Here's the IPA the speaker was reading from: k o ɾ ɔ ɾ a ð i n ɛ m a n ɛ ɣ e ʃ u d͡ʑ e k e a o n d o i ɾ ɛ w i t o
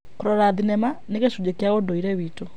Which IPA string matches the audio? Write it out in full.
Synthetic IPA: k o ɾ ɔ ɾ a ð i n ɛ m a n e ɣ e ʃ u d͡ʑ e k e a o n d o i ɾ ɛ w i t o